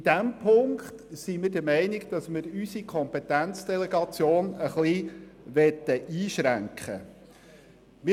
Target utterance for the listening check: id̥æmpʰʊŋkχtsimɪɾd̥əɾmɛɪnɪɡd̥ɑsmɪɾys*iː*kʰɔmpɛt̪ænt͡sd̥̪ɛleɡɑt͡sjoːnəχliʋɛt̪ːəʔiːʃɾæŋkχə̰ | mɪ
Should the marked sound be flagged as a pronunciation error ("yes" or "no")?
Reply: yes